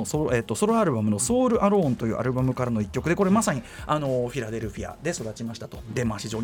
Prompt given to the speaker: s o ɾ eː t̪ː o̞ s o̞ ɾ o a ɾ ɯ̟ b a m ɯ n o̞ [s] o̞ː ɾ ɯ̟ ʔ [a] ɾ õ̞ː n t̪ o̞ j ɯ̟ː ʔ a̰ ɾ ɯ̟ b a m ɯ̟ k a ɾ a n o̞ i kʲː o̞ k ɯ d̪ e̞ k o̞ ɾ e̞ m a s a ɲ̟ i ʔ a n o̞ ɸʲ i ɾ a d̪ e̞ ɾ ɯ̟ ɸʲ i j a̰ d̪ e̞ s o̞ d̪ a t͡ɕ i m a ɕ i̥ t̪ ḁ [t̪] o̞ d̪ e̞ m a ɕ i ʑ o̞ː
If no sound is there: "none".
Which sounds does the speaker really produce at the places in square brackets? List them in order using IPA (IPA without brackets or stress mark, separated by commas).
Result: s, a, t̪